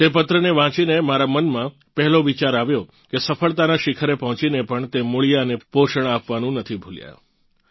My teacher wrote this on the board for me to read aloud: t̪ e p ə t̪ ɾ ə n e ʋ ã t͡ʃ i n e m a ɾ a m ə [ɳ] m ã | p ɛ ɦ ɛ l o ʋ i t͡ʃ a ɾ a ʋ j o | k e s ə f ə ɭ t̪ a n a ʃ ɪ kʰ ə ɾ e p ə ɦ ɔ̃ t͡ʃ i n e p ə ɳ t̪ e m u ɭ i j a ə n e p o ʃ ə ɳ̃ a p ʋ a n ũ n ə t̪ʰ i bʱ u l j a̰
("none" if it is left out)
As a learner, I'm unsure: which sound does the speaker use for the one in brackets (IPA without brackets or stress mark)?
n